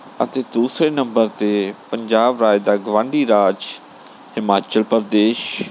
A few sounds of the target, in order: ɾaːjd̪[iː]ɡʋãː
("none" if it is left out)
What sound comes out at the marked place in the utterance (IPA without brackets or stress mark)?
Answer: aː